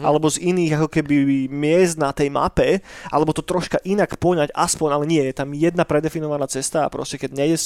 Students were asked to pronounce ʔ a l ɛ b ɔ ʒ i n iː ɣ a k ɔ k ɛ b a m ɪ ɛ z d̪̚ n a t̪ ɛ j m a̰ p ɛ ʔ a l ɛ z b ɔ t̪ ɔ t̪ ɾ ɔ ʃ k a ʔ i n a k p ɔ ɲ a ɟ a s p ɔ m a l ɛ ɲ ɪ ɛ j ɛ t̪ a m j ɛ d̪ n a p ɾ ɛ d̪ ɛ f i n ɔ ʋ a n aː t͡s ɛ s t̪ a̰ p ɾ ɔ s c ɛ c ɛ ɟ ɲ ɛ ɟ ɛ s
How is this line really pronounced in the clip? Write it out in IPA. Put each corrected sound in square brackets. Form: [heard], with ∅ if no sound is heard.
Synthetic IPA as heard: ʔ a l ɛ b ɔ [z] i n iː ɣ a k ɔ k ɛ b [i] m ɪ ɛ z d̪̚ n a t̪ ɛ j m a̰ p ɛ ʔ a l ɛ [∅] b ɔ t̪ ɔ t̪ ɾ ɔ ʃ k a ʔ i n a k p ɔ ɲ a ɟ a s p ɔ [ɲ] a l ɛ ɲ ɪ ɛ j ɛ t̪ a m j ɛ d̪ n a p ɾ ɛ d̪ ɛ f i n ɔ ʋ a n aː t͡s ɛ s t̪ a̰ p ɾ ɔ s c ɛ [k] ɛ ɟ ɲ ɛ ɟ ɛ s